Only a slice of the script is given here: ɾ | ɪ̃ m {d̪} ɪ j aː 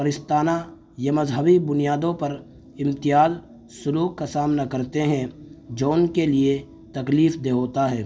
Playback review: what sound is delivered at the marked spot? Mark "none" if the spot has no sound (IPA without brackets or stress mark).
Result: t̪